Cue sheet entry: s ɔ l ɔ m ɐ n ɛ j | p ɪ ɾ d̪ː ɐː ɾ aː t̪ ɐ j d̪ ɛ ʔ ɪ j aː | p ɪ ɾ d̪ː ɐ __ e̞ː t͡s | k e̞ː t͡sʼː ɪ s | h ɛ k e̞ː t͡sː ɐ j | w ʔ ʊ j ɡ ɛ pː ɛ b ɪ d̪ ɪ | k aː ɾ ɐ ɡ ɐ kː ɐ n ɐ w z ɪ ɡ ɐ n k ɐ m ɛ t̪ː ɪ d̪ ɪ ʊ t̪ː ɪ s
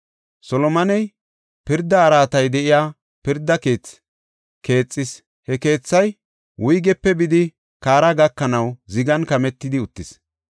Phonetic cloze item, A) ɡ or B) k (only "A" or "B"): B